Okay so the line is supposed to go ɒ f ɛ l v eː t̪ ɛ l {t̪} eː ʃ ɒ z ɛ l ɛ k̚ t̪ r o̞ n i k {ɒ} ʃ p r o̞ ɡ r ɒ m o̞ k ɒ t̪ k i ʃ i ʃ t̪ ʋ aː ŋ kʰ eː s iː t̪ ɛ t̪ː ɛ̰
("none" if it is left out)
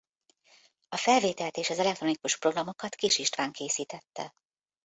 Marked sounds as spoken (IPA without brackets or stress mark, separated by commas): t̪, u